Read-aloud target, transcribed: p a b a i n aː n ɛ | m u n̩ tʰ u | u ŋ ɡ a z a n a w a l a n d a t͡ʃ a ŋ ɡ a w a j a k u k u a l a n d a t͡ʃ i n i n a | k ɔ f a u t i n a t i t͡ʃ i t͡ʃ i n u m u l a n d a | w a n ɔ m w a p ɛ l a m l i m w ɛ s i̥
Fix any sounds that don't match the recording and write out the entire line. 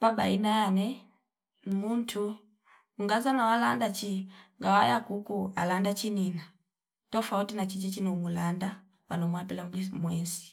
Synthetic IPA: p a b a i n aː n ɛ | m u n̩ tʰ u | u ŋ ɡ a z a n a w a l a n d a t͡ʃ i ŋ ɡ a w a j a k u k u a l a n d a t͡ʃ i n i n a | t ɔ f a u t i n a t͡ʃ i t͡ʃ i t͡ʃ i n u m u l a n d a | w a n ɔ m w a p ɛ l a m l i m w ɛ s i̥